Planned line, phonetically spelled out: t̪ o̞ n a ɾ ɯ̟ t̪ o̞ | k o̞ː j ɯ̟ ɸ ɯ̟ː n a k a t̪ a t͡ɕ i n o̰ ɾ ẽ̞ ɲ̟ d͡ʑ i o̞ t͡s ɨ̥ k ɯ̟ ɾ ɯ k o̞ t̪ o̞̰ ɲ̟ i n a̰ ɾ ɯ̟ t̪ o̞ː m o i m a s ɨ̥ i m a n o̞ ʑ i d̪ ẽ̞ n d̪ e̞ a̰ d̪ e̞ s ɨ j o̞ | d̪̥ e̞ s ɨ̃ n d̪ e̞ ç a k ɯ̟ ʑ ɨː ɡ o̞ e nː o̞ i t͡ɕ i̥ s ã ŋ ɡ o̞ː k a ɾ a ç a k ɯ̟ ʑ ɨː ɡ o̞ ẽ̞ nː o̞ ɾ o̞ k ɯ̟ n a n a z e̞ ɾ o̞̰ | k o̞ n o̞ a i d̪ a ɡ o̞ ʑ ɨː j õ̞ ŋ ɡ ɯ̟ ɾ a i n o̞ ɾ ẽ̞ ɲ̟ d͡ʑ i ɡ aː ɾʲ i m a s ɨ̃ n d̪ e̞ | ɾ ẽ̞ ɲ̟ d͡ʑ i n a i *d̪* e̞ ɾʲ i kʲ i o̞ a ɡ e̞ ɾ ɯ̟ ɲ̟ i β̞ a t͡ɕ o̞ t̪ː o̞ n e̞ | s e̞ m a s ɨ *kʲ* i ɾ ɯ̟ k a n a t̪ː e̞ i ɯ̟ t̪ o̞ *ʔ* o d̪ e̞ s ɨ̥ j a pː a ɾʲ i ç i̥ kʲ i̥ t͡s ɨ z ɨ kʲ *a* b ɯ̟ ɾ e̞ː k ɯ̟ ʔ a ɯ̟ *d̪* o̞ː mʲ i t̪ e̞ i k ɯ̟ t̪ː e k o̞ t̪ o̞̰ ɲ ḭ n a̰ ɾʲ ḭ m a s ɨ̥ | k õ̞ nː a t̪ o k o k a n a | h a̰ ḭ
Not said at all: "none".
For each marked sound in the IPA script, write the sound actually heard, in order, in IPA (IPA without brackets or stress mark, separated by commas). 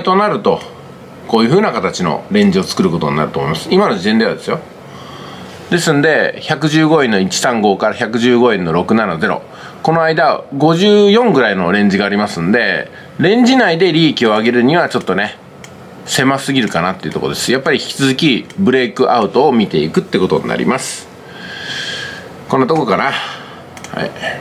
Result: d̪, ɡʲ, k, i, t̪